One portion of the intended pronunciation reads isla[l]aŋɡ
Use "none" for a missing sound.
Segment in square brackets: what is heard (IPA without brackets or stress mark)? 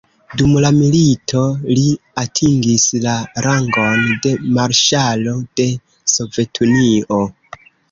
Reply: ɾ